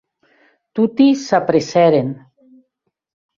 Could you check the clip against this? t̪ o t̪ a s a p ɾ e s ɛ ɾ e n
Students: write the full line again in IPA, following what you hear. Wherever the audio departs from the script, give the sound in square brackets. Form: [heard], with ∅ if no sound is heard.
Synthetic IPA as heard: t̪ [u] t̪ [i] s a p ɾ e s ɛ ɾ e n